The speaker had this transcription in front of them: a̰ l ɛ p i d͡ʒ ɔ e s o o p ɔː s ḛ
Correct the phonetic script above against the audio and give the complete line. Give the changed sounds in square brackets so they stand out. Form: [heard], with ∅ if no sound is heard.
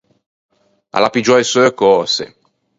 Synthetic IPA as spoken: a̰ l [a] p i d͡ʒ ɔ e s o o [k] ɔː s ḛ

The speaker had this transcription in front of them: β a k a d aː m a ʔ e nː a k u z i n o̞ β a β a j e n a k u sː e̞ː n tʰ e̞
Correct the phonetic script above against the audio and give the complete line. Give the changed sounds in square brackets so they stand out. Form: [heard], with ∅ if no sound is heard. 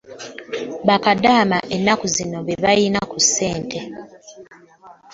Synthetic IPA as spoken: β a k a d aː m a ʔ e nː a k u z i n o̞ β [e] β a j [i] n a k u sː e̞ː n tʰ e̞

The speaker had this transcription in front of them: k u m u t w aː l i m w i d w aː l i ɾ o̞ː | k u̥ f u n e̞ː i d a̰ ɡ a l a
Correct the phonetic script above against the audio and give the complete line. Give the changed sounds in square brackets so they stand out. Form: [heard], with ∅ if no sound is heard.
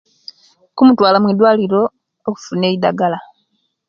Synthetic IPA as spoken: k u m u t w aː l [a] m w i d w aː l i ɾ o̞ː | k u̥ f u n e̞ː i d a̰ ɡ a l a

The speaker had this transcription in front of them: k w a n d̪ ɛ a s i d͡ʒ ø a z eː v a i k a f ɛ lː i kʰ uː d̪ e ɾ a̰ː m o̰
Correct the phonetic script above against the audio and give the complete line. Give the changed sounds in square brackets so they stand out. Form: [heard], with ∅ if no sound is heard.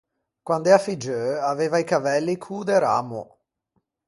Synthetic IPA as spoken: k w a n d̪ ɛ a [f] i d͡ʒ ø a [v] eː v a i k a [v] ɛ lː i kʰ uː d̪ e ɾ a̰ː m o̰

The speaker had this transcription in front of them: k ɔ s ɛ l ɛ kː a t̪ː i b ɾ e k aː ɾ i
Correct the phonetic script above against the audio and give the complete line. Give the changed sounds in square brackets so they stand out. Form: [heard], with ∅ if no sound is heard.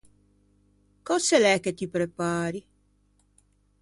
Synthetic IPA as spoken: k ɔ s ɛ l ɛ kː [e] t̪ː i [p] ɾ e [p] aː ɾ i

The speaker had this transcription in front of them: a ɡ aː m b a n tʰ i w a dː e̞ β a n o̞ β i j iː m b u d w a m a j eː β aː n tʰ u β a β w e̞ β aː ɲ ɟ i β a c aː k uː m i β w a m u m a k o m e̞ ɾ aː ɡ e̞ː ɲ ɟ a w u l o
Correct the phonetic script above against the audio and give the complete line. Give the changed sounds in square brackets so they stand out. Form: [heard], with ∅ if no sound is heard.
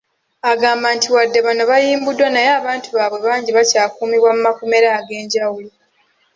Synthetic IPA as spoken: a ɡ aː m b a n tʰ i w a dː e̞ β a n o̞ β [a] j iː m b u d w a [n] a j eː β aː n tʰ u β a β w e̞ β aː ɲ ɟ i β a c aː k uː m i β w a m u m a k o m e̞ ɾ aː ɡ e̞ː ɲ ɟ a w u l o

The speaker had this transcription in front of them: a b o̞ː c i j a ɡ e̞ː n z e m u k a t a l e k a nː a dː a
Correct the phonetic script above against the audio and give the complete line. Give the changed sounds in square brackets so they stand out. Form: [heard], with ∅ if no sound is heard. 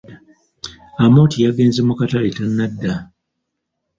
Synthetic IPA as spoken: a [m] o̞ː [t] i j a ɡ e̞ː n z e m u k a t a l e [t] a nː a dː a

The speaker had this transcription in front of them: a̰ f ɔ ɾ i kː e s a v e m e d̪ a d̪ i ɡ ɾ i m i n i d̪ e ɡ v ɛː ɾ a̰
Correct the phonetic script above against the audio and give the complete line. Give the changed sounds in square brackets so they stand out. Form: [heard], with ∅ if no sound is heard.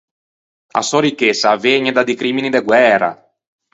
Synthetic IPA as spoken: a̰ [s] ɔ ɾ i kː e s a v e [ɲ] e d̪ a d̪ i [k] ɾ i m i n i d̪ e ɡ [w] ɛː ɾ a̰

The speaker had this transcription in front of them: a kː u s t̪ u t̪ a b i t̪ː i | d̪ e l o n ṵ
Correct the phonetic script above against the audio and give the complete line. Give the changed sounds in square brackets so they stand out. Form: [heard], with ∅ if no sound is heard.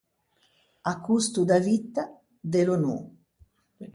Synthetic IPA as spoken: a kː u s t̪ u [d̪] a [v] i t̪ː [a] | d̪ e l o n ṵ

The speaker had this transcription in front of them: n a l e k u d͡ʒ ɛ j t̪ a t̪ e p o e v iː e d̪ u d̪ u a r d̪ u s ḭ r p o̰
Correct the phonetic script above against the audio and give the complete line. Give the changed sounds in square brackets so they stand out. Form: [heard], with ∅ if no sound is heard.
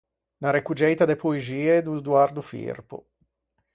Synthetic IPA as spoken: n a [ɾ] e k u d͡ʒ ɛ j t̪ a [d̪] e p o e [z] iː e d̪ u d̪ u a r d̪ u [f] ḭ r p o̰

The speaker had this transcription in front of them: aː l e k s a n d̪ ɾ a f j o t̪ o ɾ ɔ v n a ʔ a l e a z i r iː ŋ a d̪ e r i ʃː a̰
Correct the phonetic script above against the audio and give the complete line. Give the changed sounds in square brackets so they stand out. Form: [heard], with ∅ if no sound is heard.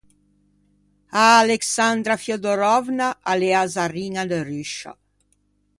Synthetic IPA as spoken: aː l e k s a n d̪ ɾ a f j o [d̪] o ɾ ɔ v n a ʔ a l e a z [a] r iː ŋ a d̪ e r [y] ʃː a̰

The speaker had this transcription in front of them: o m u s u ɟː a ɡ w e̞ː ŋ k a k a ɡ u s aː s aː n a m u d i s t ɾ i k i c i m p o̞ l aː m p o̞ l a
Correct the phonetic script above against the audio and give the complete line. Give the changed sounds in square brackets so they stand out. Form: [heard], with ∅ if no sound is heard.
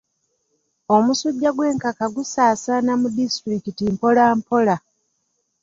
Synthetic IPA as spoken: o m u s u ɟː a ɡ w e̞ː ŋ k a k a ɡ u s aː s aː n a m u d i s t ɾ i k i [t] i m p o̞ l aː m p o̞ l a

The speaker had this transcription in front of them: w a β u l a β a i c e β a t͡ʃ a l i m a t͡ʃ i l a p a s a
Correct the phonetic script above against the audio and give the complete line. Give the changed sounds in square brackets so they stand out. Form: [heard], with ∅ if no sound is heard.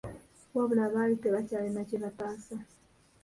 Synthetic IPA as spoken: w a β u l a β a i [t] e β a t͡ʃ a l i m a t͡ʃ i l a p a s a

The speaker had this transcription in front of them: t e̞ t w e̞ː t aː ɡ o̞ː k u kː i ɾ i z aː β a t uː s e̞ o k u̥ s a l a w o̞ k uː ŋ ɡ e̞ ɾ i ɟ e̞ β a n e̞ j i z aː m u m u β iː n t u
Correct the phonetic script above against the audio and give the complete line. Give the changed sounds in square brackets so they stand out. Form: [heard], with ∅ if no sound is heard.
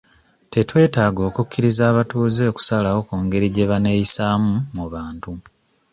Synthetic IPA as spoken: t e̞ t w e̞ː t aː ɡ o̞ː k u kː i ɾ i z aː β a t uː [z] e̞ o k u̥ s a l a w o̞ k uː ŋ ɡ e̞ ɾ i ɟ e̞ β a n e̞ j i [s] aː m u m u β [aː] n t u

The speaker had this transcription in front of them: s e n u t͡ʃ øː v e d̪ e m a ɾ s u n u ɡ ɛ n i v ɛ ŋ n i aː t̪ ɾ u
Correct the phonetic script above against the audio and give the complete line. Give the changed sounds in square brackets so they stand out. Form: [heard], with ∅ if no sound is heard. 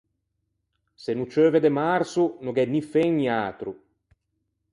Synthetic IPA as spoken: s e n u t͡ʃ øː v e d̪ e m a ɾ s u n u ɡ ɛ n i [f] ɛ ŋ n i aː t̪ ɾ u

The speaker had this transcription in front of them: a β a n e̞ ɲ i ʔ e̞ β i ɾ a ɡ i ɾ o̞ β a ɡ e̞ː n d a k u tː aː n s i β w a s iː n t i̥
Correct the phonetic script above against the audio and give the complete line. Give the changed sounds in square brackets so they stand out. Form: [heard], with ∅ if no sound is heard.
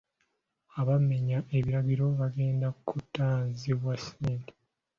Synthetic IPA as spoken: a β a [m] e̞ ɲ [a] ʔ e̞ β i ɾ a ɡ i ɾ o̞ β a ɡ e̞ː n d a k u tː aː n [z] i β w a s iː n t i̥

